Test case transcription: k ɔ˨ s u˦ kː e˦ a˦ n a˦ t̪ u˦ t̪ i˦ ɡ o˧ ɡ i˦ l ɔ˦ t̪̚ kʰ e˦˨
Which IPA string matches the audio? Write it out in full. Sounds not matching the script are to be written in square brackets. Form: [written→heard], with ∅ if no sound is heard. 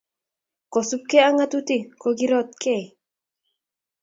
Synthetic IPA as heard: k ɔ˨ s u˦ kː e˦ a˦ [n→ŋ] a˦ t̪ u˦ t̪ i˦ [ɡ→k] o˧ ɡ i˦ [l→ɾ] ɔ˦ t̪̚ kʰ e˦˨